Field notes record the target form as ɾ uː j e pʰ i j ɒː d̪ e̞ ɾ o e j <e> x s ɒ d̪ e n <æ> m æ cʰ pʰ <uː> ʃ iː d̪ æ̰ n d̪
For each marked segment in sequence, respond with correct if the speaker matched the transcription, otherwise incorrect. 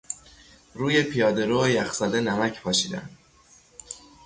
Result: incorrect: æ, correct, incorrect: ɒː

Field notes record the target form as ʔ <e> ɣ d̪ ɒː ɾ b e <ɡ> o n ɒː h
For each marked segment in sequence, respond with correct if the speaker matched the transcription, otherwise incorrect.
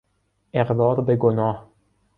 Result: correct, correct

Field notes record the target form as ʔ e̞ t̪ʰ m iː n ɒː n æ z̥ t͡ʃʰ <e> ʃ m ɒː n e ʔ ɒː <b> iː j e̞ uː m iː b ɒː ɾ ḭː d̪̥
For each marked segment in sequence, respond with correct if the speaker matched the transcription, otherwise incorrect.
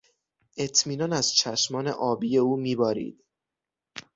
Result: incorrect: æ, correct

